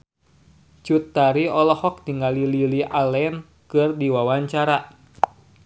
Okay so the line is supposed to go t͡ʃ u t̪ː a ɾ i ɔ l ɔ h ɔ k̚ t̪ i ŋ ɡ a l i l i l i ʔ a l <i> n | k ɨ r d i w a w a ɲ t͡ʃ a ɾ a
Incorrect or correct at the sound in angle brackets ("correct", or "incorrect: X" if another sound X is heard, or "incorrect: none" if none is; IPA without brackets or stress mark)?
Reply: incorrect: ɛ